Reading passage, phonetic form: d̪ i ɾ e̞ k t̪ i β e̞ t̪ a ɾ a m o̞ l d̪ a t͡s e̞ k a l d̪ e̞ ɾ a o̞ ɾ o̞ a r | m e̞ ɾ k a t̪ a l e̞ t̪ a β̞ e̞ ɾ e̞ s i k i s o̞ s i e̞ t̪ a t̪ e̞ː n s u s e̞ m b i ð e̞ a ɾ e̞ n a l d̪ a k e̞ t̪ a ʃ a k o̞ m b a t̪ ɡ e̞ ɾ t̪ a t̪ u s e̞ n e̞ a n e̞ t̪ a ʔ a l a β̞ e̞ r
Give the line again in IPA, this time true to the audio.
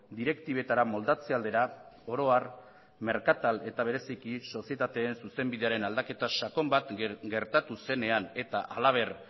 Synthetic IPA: d̪ i ɾ e̞ k t̪ i β e̞ t̪ a ɾ a m o̞ l d̪ a t͡s e̞ a l d̪ e̞ ɾ a o̞ ɾ o̞ a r | m e̞ ɾ k a t̪ a l e̞ t̪ a β̞ e̞ ɾ e̞ s i k i s o̞ s i e̞ t̪ a t̪ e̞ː n s u s e̞ m b i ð e̞ a ɾ e̞ n a l d̪ a k e̞ t̪ a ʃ a k o̞ m b a t̪ ɡ e̞ ɾ t̪ a t̪ u s e̞ n e̞ a n e̞ t̪ a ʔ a l a β̞ e̞ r